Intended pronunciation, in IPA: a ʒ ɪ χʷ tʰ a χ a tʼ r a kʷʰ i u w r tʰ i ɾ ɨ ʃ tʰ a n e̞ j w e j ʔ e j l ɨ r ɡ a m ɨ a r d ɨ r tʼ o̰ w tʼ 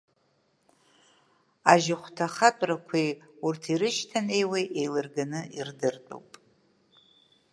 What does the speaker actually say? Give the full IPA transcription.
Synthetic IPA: a ʒ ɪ χʷ tʰ a χ a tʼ r a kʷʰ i u r tʰ i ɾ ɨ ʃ tʰ a n e̞ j w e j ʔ e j l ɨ r ɡ a n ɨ i r d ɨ r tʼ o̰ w pʼ